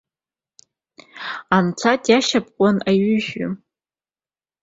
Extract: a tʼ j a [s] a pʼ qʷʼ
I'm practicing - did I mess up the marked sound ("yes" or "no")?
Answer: yes